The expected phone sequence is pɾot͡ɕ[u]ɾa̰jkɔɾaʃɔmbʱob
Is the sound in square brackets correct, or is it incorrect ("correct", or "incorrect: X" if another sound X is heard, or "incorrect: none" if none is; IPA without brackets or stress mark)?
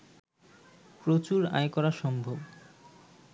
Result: correct